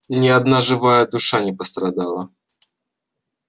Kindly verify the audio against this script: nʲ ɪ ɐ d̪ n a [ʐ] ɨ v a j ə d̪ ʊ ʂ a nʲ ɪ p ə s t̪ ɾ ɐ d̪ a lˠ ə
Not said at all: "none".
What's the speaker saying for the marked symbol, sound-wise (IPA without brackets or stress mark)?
ʐ